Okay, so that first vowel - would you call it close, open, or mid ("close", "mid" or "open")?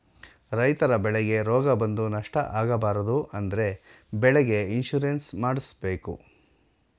open